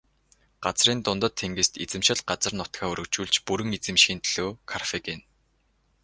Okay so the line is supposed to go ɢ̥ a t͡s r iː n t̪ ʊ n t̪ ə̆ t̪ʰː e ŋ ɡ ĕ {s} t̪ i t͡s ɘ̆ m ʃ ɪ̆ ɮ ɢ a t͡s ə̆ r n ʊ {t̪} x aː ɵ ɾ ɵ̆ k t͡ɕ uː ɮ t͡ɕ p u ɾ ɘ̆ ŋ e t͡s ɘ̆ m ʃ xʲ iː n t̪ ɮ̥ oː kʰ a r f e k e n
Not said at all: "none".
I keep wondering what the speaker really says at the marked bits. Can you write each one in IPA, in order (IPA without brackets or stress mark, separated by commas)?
s, t̪